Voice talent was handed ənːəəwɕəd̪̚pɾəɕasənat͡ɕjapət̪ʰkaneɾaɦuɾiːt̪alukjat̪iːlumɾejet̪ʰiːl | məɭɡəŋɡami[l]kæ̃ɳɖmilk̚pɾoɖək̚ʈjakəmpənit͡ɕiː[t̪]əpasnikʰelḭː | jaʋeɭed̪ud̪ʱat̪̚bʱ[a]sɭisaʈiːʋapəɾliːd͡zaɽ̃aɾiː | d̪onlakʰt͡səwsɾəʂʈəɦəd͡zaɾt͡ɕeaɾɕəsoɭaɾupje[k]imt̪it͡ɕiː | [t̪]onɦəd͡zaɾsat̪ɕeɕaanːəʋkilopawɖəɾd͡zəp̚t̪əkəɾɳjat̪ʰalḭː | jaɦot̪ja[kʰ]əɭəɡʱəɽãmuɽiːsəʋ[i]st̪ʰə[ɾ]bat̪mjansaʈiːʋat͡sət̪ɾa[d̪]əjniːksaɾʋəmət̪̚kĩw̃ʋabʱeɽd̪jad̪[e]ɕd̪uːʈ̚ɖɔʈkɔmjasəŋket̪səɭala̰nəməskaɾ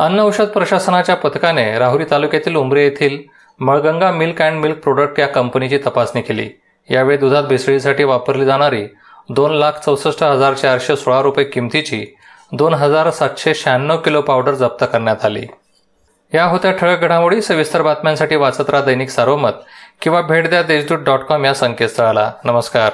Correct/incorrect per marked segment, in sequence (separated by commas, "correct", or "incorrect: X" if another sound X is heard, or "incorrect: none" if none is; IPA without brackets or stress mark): correct, correct, incorrect: i, correct, incorrect: d̪, incorrect: ʈʰ, correct, correct, correct, correct